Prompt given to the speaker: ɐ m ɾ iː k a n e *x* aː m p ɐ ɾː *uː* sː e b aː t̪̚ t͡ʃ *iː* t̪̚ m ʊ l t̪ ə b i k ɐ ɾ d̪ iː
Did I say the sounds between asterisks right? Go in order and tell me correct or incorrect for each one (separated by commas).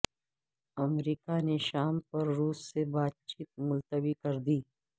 incorrect, correct, correct